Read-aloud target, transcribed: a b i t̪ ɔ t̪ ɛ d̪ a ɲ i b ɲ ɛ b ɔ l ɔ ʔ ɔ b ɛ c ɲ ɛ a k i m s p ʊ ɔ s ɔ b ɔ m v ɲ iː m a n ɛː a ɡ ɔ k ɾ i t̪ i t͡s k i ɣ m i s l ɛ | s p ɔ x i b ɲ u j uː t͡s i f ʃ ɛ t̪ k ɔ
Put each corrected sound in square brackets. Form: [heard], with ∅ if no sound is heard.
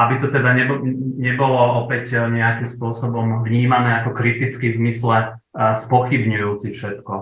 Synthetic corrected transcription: a b i t̪ ɔ t̪ ɛ d̪ a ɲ [ɛ] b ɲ ɛ b ɔ l ɔ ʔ ɔ [p] ɛ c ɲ ɛ a k i m s p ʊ ɔ s ɔ b ɔ m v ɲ iː m a n ɛː a [k] ɔ k ɾ i t̪ i t͡s k i [z] m i s l ɛ | s p ɔ x i b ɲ u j uː t͡s i f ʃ ɛ t̪ k ɔ